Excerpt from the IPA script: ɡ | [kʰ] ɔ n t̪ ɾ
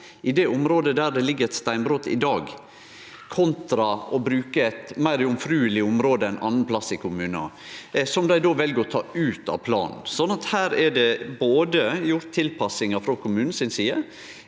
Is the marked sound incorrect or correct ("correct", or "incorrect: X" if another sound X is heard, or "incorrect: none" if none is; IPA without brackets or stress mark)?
correct